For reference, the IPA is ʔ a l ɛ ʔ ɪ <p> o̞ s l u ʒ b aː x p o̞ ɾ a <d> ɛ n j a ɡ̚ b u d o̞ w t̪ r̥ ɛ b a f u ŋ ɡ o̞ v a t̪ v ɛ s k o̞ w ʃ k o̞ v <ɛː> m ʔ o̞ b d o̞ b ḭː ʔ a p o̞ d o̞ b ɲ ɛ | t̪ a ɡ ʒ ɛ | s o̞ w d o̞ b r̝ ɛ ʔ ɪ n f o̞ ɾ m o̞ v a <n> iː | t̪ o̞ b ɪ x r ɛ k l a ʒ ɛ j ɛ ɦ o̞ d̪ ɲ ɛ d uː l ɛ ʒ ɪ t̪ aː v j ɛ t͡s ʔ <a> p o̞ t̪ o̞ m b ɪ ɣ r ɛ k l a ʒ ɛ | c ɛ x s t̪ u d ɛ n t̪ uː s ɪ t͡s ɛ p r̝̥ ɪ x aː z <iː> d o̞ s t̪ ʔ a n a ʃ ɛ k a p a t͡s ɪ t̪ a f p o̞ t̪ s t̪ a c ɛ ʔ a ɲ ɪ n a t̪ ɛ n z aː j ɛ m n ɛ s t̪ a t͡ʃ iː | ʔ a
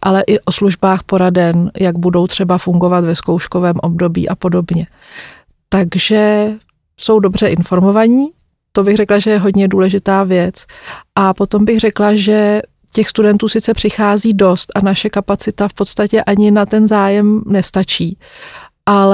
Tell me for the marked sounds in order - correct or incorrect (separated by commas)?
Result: incorrect, correct, correct, incorrect, correct, correct